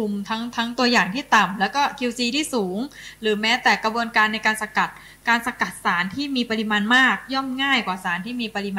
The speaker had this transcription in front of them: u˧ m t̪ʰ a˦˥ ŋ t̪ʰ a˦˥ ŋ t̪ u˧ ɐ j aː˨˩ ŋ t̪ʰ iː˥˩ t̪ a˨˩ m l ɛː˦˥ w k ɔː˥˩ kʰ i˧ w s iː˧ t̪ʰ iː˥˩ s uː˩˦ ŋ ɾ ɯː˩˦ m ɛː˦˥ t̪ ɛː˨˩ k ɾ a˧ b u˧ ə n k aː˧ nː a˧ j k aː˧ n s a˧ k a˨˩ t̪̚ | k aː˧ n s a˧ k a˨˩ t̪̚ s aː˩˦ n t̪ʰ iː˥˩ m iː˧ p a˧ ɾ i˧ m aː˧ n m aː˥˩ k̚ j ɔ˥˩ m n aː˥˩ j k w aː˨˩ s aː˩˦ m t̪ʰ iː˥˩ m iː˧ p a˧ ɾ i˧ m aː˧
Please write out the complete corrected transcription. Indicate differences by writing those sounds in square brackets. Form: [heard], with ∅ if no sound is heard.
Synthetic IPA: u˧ m t̪ʰ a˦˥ ŋ t̪ʰ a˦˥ ŋ t̪ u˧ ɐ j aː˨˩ ŋ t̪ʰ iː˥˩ t̪ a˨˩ m l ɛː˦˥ w k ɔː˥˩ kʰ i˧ w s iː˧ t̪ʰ iː˥˩ s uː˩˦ ŋ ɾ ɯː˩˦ m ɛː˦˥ t̪ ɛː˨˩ k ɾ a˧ b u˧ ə n k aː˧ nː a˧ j k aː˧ n s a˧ k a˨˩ t̪̚ | k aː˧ n s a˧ k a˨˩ t̪̚ s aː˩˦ n t̪ʰ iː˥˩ m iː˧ p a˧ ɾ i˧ m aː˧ n m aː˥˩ k̚ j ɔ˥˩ m [ŋ] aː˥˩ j k w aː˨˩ s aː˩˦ [n] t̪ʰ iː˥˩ m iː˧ p a˧ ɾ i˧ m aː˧